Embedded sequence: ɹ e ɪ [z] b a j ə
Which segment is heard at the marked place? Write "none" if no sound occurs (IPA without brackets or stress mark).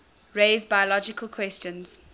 z